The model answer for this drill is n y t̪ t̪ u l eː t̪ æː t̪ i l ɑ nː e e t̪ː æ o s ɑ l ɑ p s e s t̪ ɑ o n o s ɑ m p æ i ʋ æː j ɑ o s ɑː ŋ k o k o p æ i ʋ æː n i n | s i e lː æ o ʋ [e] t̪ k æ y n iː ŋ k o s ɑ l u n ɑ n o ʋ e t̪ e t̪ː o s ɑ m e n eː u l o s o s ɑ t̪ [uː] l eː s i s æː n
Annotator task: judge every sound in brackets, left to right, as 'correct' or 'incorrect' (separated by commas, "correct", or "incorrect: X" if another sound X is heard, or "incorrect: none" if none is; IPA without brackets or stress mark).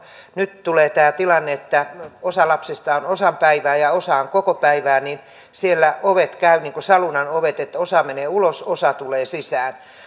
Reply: correct, incorrect: u